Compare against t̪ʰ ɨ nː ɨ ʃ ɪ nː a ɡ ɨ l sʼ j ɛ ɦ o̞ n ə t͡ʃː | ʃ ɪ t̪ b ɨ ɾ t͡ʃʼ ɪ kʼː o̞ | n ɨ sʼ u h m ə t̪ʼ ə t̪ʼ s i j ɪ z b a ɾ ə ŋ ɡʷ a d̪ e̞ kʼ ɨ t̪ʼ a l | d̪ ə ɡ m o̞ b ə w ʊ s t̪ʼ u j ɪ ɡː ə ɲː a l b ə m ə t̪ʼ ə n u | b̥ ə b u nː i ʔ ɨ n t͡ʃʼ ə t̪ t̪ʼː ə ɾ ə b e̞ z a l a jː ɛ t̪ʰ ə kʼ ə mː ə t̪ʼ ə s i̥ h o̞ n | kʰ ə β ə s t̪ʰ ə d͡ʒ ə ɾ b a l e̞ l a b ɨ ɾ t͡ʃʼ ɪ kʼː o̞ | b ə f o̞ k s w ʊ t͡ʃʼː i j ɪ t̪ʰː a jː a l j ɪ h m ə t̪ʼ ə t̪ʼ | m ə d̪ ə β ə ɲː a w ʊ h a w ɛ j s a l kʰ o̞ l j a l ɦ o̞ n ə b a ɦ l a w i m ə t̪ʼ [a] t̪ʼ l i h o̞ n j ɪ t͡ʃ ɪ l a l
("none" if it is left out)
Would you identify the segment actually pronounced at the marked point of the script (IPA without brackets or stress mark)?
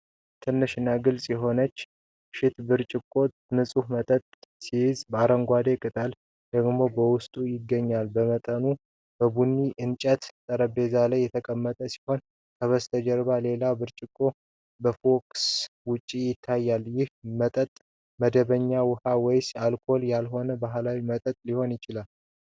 ə